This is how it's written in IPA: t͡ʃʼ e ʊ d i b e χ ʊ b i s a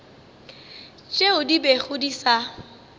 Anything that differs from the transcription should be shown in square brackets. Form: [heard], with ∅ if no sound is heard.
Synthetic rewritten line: t͡ʃʼ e ʊ d i b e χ ʊ [d] i s a